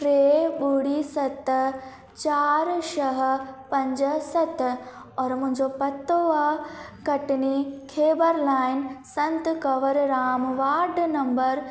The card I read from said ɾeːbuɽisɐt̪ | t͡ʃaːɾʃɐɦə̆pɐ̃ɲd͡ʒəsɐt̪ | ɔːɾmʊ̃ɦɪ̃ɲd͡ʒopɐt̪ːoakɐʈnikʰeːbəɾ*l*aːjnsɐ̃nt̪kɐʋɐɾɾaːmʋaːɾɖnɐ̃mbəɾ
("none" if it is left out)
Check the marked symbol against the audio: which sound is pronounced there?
l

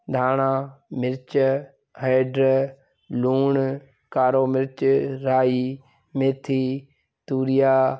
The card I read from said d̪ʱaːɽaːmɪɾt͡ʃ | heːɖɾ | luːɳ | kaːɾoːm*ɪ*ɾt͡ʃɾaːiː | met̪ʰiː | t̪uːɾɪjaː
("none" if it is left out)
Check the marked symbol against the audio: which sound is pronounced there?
ɪ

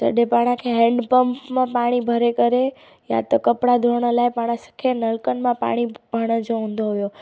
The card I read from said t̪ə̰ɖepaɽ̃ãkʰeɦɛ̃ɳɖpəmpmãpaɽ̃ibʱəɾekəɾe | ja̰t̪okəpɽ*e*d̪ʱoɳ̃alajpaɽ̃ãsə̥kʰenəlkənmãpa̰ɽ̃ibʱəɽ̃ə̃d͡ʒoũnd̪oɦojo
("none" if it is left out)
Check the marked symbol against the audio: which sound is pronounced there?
a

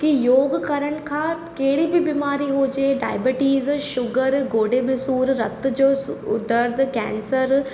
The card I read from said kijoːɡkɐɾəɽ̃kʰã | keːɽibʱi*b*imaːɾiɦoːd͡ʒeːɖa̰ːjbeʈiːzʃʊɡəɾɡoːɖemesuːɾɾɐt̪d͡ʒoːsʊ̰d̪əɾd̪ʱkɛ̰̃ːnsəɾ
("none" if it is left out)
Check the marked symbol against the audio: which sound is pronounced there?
b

